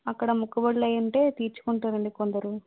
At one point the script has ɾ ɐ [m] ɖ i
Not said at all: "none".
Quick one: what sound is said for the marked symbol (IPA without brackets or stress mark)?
ɳ